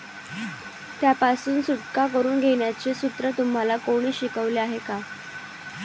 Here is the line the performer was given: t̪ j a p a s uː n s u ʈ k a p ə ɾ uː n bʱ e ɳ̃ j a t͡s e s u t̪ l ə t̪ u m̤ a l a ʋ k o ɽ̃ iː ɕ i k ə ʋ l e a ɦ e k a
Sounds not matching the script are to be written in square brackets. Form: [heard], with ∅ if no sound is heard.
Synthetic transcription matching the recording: t̪ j a p a s uː n s u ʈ k a [k] ə ɾ uː n [ɡʱ] e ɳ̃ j a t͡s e s u t̪ [ɾ] ə t̪ u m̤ a l a [∅] k o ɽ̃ iː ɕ i k ə ʋ l e a ɦ e k a

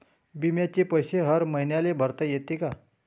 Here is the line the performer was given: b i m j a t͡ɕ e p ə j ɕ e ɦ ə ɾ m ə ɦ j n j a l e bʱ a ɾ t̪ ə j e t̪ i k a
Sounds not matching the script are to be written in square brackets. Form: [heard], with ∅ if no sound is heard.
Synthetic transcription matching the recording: b i m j a t͡ɕ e p ə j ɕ e ɦ ə ɾ m ə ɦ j n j a l e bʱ [ə] ɾ t̪ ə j e t̪ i k a

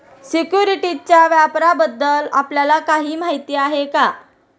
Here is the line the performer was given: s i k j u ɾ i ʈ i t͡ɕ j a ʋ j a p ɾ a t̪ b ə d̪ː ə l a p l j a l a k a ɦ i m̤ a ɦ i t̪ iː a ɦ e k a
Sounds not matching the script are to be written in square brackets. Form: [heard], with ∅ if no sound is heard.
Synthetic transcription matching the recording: s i k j u ɾ i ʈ i t͡ɕ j a ʋ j a p ɾ a [∅] b ə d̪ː ə l a p l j a l a k a ɦ [iː] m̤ a ɦ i t̪ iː a ɦ e k a

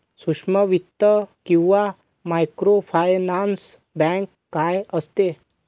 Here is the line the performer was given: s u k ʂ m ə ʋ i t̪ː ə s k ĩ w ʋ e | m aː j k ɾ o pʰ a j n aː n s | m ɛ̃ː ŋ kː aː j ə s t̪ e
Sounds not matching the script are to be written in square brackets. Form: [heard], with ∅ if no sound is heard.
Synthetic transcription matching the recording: s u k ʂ m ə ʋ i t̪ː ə [∅] k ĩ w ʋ [a] | m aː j k ɾ o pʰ a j n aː n s | [b] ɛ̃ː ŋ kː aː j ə s t̪ e

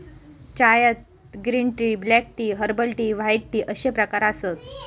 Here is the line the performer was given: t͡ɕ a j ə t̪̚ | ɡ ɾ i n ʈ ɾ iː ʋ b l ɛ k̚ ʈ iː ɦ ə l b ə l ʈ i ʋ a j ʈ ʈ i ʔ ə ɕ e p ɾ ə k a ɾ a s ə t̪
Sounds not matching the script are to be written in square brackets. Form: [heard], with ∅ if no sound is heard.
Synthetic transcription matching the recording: t͡ɕ a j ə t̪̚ | ɡ ɾ i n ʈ ɾ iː [∅] b l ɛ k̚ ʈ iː ɦ ə [ɾ] b ə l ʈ i ʋ a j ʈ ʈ i ʔ ə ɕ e p ɾ ə k a ɾ a s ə t̪

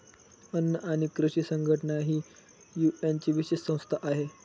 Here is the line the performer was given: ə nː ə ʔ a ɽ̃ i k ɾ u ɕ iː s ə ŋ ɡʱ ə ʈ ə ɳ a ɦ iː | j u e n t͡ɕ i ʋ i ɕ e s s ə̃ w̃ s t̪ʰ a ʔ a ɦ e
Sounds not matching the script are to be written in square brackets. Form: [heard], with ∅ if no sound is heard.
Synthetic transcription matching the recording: ə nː ə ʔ a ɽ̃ i k ɾ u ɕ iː s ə ŋ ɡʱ ə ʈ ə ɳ a ɦ iː | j u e n t͡ɕ i ʋ i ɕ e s s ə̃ w̃ s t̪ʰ a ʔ a ɦ e

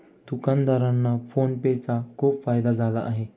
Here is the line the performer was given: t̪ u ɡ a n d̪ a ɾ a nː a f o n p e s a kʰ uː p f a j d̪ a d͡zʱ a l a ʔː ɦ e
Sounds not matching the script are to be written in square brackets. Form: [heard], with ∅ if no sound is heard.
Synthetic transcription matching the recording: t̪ u [k] a n d̪ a ɾ a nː a f o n p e [t͡s] a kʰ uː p f a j d̪ a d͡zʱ a l a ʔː ɦ e

